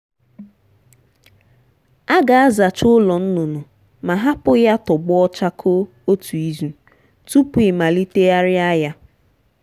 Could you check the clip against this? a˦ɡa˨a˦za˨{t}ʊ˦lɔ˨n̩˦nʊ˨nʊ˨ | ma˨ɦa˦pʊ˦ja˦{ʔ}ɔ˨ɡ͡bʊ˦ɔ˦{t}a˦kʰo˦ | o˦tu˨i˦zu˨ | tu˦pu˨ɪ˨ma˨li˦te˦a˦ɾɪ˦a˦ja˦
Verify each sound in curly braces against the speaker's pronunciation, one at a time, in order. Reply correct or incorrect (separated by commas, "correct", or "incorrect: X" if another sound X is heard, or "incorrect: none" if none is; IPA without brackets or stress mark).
incorrect: t͡ʃ, incorrect: t, incorrect: t͡ʃ